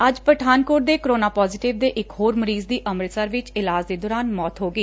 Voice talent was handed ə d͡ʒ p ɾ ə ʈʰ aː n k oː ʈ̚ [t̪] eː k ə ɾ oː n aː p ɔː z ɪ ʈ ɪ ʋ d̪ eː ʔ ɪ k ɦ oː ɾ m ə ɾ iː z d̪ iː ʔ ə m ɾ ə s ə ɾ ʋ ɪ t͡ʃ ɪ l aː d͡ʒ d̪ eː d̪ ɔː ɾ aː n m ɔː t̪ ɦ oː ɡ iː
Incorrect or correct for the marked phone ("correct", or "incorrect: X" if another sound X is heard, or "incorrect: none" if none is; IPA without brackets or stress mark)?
incorrect: d̪